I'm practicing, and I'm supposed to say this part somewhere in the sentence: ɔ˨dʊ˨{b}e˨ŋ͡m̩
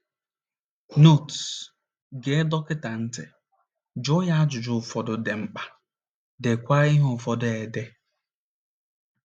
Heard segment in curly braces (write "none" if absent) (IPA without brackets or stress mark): d